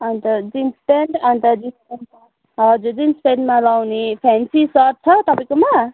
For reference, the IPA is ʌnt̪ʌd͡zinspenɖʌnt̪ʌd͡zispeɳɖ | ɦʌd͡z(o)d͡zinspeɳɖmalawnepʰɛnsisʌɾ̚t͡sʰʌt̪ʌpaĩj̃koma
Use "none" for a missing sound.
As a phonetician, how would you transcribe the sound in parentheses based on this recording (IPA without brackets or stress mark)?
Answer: u